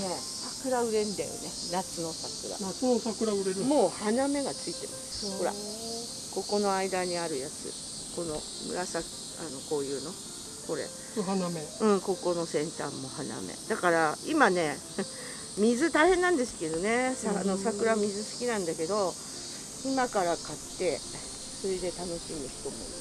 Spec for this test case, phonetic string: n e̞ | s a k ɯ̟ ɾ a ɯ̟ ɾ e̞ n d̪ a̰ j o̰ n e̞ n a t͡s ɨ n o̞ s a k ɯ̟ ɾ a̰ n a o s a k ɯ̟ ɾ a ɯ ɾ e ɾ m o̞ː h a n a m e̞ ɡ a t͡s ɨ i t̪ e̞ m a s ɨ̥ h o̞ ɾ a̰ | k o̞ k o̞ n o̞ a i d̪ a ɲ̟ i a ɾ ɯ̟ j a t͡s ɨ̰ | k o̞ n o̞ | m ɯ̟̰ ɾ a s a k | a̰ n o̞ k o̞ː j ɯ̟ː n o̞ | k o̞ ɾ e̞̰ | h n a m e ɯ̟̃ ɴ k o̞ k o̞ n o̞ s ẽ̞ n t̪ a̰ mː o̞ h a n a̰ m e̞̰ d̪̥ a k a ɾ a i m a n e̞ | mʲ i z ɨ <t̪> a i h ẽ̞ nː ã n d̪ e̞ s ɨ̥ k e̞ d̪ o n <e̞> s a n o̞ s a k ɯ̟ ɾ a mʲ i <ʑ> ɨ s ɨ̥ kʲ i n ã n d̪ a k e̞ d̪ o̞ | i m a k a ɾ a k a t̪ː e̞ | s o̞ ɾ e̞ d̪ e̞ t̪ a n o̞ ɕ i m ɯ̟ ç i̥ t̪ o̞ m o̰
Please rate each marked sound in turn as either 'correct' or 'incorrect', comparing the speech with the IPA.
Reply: correct, correct, incorrect: z

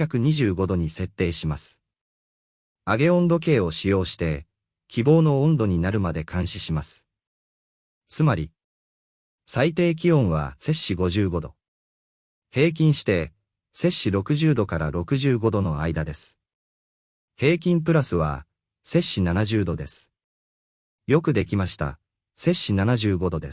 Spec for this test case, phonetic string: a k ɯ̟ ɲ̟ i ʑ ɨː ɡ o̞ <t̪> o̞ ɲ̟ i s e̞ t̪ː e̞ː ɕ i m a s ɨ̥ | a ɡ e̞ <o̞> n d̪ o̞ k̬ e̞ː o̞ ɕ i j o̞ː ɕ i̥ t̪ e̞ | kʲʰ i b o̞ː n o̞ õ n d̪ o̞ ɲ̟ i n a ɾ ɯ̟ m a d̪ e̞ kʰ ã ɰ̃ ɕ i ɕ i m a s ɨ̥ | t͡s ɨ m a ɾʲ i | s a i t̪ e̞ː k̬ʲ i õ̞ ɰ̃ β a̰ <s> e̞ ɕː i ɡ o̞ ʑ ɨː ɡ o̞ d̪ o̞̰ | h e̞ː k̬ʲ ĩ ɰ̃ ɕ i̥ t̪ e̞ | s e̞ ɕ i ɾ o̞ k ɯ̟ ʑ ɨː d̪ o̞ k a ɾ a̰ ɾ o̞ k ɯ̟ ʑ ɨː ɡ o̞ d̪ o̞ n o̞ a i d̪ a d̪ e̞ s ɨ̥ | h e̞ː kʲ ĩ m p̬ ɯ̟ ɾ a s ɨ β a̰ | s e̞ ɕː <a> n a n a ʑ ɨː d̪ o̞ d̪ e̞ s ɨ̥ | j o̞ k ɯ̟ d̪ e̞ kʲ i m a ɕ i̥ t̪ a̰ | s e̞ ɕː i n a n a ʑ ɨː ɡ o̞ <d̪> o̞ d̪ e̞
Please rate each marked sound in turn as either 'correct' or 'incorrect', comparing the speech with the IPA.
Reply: incorrect: d̪, incorrect: õ̞, correct, incorrect: i, correct

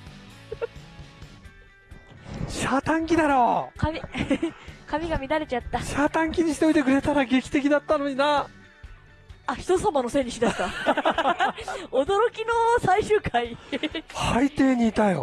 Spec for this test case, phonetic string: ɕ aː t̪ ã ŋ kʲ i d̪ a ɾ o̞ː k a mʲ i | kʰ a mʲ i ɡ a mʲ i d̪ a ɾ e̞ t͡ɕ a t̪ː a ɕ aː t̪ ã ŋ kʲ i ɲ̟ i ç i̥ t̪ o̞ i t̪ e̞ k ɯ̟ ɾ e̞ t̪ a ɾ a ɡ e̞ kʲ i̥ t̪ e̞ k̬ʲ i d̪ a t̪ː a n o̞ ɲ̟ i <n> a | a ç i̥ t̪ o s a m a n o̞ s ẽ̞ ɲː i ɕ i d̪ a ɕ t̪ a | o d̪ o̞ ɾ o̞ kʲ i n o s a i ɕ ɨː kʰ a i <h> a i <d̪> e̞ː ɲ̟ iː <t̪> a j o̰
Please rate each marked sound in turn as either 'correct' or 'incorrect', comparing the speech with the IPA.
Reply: correct, correct, incorrect: t̪, correct

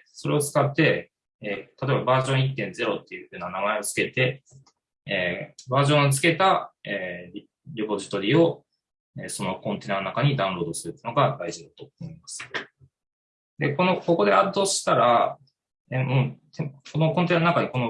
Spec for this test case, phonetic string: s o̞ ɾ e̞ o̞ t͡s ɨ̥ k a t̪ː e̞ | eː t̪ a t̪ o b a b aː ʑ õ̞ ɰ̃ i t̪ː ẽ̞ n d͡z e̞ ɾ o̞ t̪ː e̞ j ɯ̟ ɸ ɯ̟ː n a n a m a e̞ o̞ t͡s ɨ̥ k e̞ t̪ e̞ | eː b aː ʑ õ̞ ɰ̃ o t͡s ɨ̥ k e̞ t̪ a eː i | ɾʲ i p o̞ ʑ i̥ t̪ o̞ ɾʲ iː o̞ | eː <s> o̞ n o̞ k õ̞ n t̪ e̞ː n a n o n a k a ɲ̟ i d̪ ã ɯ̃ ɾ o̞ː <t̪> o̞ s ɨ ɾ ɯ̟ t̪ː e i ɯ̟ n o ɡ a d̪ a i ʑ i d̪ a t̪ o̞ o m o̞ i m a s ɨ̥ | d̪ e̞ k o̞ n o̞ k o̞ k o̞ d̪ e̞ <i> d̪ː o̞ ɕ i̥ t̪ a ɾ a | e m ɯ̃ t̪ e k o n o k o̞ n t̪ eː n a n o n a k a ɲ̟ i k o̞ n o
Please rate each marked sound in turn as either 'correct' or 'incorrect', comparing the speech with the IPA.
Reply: correct, incorrect: d̪, incorrect: a

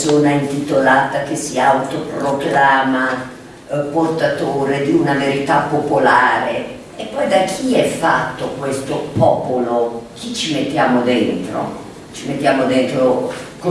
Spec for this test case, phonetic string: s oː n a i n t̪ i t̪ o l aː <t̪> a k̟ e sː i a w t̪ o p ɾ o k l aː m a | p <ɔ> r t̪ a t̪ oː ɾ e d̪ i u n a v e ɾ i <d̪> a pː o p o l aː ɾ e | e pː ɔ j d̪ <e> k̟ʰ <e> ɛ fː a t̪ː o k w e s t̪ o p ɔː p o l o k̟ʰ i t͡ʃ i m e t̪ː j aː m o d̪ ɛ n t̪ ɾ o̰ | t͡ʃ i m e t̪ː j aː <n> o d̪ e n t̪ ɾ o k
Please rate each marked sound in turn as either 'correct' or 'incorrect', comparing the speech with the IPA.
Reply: correct, incorrect: o, incorrect: t̪, incorrect: a, incorrect: i, incorrect: m

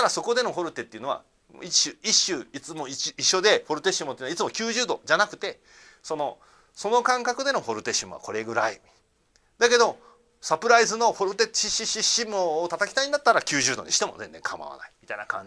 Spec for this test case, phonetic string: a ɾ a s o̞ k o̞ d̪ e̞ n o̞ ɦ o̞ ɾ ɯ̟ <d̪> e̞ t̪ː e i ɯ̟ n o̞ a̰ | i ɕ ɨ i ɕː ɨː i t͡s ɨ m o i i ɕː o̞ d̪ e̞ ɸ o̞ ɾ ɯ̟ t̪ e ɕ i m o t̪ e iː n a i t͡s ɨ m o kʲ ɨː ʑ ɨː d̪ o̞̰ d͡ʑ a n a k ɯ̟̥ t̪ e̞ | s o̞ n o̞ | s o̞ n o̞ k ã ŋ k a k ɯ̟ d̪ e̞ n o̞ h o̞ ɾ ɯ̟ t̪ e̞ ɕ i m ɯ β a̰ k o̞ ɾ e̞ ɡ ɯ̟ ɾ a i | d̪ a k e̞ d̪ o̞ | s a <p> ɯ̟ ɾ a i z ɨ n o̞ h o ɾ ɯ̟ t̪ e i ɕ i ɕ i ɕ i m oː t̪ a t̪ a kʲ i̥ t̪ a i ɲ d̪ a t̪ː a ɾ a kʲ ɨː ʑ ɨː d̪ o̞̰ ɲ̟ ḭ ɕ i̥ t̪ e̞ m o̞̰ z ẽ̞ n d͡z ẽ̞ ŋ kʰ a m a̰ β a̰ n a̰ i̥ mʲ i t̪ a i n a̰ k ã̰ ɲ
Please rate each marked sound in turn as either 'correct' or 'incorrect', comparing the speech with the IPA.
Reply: incorrect: t̪, correct

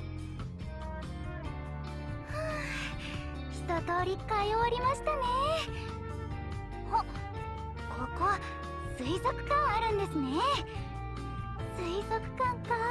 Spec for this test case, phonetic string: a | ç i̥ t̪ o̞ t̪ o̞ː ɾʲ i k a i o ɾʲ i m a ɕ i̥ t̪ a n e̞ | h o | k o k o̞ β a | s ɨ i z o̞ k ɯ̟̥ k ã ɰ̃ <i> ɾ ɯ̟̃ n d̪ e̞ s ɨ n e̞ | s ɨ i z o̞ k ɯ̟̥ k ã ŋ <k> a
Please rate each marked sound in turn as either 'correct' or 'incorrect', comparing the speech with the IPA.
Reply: incorrect: a, correct

